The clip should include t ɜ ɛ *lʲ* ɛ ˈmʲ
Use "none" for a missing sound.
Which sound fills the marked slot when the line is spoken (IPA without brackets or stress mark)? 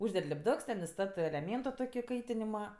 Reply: lʲ